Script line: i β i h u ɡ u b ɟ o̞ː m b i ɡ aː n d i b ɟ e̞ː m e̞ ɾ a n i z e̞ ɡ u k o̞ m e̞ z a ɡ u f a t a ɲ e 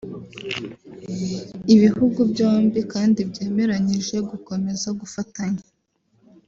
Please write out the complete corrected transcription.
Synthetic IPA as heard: i β i h u ɡ u b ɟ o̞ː m b i k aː n d i b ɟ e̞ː m e̞ ɾ a ɲ i ʒ e̞ ɡ u k o̞ m e̞ z a ɡ u f a t a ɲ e